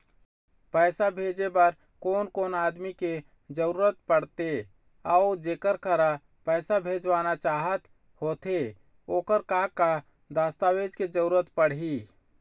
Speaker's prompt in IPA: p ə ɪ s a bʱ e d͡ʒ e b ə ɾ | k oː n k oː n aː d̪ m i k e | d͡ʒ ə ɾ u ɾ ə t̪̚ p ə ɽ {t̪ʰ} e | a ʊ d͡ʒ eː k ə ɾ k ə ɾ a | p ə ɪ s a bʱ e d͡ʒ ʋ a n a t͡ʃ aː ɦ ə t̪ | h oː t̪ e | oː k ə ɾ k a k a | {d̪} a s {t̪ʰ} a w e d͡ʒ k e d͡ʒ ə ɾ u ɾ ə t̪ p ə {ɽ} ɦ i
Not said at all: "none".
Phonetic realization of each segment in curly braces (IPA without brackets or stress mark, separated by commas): t̪, d̪, t̪, ɽ